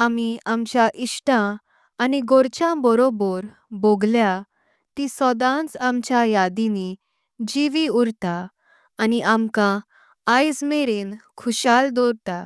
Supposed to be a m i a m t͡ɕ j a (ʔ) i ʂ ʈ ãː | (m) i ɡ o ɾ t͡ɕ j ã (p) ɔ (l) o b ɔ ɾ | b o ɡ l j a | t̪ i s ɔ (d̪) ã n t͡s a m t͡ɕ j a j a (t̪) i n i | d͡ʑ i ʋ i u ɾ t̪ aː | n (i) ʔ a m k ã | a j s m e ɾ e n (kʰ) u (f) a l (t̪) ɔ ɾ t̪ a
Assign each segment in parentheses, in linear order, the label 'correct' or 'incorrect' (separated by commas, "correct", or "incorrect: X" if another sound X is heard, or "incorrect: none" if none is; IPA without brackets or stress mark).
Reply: correct, incorrect: n, incorrect: b, incorrect: ɾ, correct, incorrect: d̪, correct, correct, incorrect: ɕ, incorrect: d̪